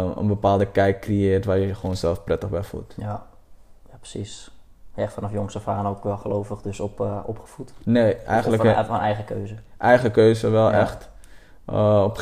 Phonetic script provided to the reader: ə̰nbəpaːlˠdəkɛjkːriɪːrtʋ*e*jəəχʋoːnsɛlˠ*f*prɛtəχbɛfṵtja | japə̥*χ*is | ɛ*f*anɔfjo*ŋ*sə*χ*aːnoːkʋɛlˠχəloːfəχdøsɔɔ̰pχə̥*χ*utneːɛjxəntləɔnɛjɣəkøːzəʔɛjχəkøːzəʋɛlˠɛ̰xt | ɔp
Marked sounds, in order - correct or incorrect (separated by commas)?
incorrect, correct, incorrect, correct, correct, incorrect, incorrect